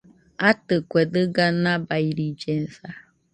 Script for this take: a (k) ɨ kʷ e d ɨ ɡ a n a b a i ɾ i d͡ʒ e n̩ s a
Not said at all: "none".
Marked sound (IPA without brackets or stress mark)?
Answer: t